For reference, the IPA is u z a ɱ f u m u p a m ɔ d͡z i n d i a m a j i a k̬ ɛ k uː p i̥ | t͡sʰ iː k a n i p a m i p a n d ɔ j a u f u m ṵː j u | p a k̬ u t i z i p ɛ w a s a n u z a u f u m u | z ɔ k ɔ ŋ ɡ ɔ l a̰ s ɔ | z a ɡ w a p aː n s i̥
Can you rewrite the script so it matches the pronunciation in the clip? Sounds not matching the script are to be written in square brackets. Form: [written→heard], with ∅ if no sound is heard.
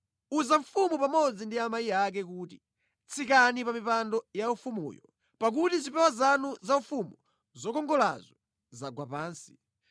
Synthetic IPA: u z a ɱ f u m u p a m ɔ d͡z i n d i a m a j i a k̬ ɛ k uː [p→t] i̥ | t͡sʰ [iː→i] k a n i p a m i p a n d ɔ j a u f u m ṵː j [u→ɔ] | p a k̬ u t i z i p ɛ w a [s→z] a n u z a u f u m u | z ɔ k ɔ ŋ ɡ ɔ l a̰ [s→z] ɔ | z a ɡ w a p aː n s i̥